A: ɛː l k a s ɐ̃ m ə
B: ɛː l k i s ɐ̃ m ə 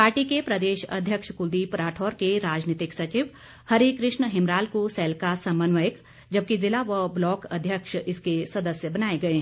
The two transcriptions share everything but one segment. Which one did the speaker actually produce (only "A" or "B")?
A